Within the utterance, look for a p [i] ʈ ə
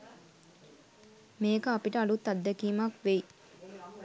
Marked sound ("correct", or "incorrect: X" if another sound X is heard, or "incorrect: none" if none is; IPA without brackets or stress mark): correct